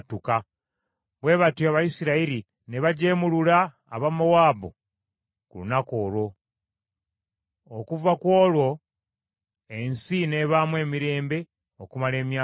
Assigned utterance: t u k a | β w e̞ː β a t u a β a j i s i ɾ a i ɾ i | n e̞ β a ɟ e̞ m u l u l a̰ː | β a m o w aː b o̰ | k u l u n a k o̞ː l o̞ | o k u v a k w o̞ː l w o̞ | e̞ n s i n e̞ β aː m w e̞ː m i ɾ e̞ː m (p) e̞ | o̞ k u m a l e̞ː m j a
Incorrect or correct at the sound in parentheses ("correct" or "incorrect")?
incorrect